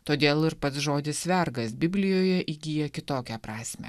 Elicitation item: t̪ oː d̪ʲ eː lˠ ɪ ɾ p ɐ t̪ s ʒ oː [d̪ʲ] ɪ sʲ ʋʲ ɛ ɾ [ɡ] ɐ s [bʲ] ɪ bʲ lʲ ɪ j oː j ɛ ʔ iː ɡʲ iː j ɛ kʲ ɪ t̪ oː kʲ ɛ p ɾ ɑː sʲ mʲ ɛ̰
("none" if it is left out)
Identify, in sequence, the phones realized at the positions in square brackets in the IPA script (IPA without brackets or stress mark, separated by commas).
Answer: d̪ʲ, ɡ, bʲ